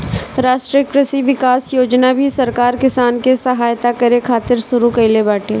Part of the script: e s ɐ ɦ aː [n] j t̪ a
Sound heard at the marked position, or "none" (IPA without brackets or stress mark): none